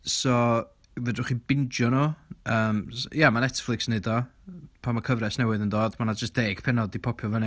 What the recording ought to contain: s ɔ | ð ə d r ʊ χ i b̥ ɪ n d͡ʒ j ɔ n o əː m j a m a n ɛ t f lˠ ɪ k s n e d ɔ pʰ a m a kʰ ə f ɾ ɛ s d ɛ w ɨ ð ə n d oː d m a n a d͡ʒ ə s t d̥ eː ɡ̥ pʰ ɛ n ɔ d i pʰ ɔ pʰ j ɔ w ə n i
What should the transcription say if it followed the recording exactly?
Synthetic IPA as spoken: s ɔ | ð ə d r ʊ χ i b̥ ɪ n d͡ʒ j ɔ n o əː m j a m a n ɛ t f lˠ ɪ k s n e d ɔ pʰ a m a kʰ ə v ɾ ɛ s n ɛ w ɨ ð ə n d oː d m a n a d͡ʒ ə s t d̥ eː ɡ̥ pʰ ɛ n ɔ d i pʰ ɔ pʰ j ɔ v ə n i